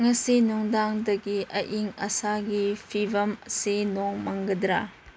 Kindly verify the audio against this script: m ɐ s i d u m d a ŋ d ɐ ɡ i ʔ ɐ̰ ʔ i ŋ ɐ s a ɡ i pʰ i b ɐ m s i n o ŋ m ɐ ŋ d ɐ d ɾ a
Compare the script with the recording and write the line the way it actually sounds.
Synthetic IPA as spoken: ŋ ɐ s i n u ŋ d a ŋ d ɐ ɡ i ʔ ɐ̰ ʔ i ŋ ɐ s a ɡ i pʰ i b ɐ m s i n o ŋ m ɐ ŋ ɡ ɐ d ɾ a